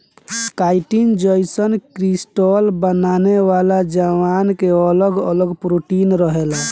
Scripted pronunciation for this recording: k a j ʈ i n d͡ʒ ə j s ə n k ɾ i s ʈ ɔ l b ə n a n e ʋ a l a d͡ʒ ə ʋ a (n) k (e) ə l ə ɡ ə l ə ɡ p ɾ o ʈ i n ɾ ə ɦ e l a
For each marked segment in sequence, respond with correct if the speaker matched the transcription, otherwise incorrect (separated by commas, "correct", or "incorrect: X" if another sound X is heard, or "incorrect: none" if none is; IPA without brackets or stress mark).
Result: correct, correct